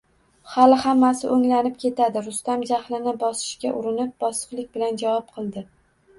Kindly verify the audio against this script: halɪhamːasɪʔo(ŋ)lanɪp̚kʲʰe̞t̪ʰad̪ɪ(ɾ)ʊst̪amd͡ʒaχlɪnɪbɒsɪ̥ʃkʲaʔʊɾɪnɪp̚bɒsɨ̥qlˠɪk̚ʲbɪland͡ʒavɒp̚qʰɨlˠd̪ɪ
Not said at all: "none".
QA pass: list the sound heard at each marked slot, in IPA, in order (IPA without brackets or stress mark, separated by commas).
ŋ, ɾ